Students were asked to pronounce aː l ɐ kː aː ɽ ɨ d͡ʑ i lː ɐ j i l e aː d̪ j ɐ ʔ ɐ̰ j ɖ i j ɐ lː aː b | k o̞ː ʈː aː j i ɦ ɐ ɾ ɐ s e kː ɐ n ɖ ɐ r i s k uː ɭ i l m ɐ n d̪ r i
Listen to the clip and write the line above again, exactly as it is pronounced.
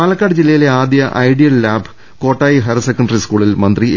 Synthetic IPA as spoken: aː l ɐ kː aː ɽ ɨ d͡ʑ i lː ɐ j i l e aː d̪ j ɐ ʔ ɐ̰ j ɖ i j ɐ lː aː b | k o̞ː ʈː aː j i ɦ ɐ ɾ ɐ s e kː ɐ ɳ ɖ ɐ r i s k uː ɭ i l m ɐ n d̪ r i